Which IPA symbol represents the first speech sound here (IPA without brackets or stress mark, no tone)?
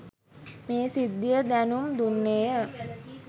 m